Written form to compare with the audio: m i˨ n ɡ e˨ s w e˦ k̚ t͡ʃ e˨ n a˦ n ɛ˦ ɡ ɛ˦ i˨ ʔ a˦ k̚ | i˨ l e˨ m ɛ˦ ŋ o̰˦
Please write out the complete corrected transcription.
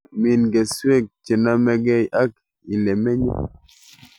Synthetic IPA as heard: m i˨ n ɡ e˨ s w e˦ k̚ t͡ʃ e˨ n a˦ m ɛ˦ ɡ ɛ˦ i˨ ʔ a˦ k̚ | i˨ l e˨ m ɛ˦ ɲ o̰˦